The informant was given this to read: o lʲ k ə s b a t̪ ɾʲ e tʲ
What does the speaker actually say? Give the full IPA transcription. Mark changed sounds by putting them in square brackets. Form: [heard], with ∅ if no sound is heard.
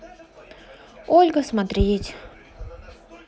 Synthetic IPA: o lʲ [ɡ] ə s [m] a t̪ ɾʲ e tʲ